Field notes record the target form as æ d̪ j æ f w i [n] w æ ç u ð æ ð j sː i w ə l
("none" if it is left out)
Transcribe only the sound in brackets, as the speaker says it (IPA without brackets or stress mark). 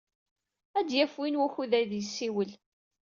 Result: n